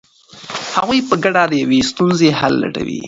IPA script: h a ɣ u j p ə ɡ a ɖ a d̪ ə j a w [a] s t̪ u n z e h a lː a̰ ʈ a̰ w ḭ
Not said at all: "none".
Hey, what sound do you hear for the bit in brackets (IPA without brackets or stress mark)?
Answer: e